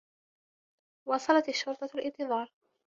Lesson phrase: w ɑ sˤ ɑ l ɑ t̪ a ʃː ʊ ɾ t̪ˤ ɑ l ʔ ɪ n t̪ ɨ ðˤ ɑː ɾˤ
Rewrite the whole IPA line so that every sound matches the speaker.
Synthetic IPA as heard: w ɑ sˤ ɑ l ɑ t̪ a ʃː ʊ ɾ t̪ˤ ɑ l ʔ ɪ n t̪ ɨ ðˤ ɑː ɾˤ